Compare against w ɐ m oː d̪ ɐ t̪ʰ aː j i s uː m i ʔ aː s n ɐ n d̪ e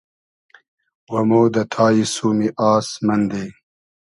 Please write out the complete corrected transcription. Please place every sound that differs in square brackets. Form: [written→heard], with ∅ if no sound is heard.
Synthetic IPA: w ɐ m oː d̪ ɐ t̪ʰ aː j i s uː m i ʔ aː s [n→m] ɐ n d̪ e